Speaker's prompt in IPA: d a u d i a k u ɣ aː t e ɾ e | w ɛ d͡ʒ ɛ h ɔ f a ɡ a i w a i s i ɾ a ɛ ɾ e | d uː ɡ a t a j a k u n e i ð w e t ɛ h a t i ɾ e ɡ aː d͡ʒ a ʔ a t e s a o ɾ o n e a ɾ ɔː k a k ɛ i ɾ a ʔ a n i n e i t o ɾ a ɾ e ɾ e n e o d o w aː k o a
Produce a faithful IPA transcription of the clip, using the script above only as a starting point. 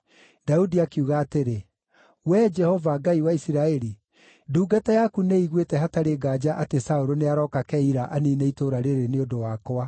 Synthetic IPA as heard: d a u d i a k u ɣ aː t e ɾ e | w ɛ d͡ʒ ɛ h ɔ v a ɡ a i w a i s i ɾ a ɛ ɾ i | d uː ɡ a t a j a k u n e i ɣ w e t ɛ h a t a ɾ e ɡ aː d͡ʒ a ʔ a t e s a o ɾ o n e a ɾ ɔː k a k ɛ i ɾ a ʔ a n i n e i t o ɾ a ɾ e ɾ e n e o d o w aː k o a